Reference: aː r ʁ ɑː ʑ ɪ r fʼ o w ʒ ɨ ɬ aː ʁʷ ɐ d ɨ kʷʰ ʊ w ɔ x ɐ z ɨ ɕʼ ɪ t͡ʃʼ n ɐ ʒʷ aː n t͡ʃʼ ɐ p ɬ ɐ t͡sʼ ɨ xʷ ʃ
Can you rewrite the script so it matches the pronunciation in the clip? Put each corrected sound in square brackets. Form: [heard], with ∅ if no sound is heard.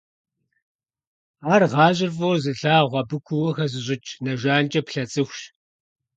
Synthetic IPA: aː r ʁ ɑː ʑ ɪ r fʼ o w [z] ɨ ɬ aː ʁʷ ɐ [b] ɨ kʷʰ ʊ w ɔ x ɐ z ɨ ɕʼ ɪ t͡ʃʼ n ɐ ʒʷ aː n t͡ʃʼ ɐ p ɬ ɐ t͡sʼ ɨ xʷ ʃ

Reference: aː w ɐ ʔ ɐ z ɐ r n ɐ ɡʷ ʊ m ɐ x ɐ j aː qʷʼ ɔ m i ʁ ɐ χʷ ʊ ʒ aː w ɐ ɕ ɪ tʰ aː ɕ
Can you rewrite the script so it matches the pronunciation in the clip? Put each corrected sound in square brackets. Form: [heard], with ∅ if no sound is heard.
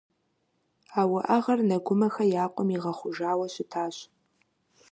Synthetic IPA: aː w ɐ ʔ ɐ [ʁ] ɐ r n ɐ ɡʷ ʊ m ɐ x ɐ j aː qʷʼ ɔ m i ʁ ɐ χʷ ʊ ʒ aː w ɐ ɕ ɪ tʰ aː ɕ

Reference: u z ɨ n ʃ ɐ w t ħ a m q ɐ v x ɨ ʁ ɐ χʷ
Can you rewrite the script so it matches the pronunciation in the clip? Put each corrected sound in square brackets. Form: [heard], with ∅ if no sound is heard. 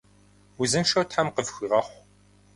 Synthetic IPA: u z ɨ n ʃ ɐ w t ħ a m q [ə] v x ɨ ʁ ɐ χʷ

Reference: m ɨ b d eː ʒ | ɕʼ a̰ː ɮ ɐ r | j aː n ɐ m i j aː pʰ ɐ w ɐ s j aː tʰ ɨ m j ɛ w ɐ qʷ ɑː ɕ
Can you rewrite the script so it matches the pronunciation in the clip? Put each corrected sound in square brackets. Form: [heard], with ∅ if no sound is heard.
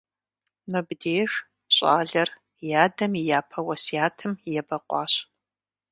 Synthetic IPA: m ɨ b d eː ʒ | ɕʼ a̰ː ɮ ɐ r | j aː [d] ɐ m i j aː pʰ ɐ w ɐ s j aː tʰ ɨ m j ɛ [b] ɐ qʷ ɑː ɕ

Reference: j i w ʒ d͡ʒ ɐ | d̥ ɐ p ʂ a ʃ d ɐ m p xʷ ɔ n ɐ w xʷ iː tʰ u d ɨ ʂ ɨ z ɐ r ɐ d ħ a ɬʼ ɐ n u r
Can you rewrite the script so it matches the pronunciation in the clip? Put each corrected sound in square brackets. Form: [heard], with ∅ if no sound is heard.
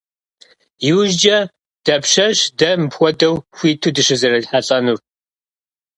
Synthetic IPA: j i w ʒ d͡ʒ ɐ | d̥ ɐ p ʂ [ɐ] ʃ d ɐ m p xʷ ɔ [d] ɐ w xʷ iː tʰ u d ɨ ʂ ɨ z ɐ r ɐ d ħ a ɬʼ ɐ n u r

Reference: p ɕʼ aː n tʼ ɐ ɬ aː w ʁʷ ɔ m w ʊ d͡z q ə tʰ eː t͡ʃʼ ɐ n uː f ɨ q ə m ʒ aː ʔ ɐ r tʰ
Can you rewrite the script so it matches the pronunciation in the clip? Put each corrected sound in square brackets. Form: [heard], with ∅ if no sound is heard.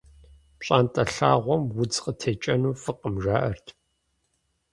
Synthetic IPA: p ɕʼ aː n tʼ ɐ ɬ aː [∅] ʁʷ ɔ m w ʊ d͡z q ə tʰ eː t͡ʃʼ ɐ n uː f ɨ q ə m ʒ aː ʔ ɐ r tʰ

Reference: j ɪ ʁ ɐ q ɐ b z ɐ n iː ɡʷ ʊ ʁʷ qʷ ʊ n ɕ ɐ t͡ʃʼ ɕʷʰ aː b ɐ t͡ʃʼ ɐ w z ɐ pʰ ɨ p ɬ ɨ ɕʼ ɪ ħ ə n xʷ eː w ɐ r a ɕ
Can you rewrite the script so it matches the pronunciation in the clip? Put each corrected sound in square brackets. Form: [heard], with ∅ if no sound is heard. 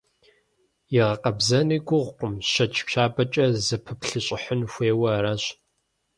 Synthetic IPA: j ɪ ʁ ɐ q ɐ b z ɐ n iː ɡʷ ʊ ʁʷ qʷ ʊ [m] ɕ ɐ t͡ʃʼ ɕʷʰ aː b ɐ t͡ʃʼ ɐ [∅] z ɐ pʰ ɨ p ɬ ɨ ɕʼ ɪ ħ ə n xʷ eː w ɐ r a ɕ

